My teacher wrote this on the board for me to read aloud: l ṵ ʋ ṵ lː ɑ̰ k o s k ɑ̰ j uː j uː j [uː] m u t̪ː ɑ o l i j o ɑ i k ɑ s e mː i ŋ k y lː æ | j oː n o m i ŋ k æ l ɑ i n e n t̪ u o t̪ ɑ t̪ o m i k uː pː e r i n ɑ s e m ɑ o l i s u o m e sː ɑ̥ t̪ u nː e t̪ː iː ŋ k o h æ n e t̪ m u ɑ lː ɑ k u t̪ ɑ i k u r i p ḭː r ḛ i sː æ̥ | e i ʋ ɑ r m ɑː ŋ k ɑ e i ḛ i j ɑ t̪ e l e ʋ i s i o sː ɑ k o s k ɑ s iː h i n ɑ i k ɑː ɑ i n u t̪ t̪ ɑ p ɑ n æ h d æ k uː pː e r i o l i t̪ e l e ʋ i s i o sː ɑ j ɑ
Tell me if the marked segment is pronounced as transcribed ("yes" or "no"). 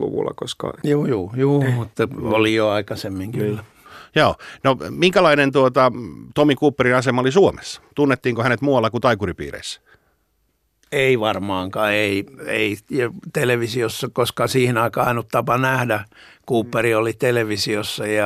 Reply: yes